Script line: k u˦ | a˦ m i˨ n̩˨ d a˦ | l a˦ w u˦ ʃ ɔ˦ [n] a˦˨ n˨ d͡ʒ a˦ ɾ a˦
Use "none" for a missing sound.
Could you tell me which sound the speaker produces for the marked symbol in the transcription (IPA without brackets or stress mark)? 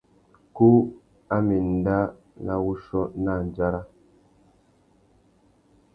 n